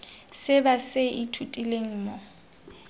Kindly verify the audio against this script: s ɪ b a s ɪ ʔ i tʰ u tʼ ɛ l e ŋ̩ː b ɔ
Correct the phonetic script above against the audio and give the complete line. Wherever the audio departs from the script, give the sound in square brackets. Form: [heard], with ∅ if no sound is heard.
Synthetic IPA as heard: s ɪ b a s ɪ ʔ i tʰ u tʼ [i] l e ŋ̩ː [m] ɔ